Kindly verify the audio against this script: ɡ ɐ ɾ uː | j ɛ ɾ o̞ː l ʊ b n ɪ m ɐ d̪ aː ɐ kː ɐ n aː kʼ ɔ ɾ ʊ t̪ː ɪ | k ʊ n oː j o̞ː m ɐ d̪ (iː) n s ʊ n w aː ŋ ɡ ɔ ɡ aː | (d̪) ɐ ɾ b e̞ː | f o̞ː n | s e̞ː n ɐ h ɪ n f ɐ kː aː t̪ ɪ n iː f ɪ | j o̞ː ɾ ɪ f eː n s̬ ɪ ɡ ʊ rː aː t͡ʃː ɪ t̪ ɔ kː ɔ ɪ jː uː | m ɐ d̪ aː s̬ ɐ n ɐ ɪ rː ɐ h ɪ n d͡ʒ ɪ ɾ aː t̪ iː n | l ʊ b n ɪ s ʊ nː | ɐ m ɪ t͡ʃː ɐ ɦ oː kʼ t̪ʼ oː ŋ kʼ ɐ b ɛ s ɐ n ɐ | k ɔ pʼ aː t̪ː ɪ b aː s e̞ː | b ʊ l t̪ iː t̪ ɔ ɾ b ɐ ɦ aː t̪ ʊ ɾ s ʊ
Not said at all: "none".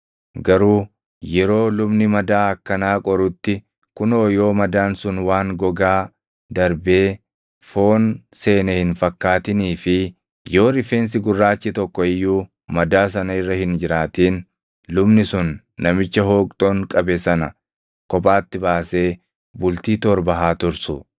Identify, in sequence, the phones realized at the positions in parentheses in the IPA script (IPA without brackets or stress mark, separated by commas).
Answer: aː, d̪